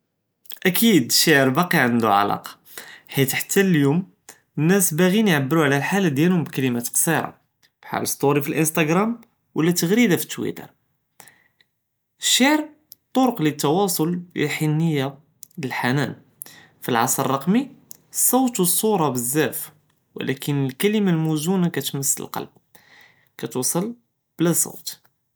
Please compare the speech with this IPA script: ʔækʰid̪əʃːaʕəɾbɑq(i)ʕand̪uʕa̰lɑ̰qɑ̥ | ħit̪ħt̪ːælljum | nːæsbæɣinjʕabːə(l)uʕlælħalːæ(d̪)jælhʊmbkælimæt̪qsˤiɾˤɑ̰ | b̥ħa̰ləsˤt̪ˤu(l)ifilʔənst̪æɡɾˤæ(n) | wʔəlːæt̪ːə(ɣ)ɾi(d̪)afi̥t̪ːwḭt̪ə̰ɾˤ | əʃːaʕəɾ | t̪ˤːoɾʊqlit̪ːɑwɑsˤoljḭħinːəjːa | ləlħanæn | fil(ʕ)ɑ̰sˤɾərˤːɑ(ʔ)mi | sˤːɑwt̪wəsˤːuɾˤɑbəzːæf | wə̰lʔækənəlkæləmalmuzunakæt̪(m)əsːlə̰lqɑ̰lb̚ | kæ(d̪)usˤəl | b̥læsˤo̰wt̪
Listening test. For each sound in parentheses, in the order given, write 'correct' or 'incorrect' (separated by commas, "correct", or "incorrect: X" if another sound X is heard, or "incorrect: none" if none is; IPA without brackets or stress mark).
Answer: correct, incorrect: ɾ, correct, incorrect: ɾ, incorrect: m, correct, correct, correct, incorrect: q, correct, incorrect: t̪